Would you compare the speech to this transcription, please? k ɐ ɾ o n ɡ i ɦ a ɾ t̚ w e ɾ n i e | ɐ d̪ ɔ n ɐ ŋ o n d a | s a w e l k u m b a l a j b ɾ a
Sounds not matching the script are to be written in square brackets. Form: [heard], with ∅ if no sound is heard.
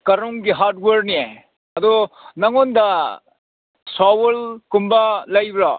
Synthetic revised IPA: k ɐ ɾ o [ŋ] ɡ i ɦ a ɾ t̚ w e ɾ n i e | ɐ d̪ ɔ n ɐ ŋ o n d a | s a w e l k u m b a l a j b ɾ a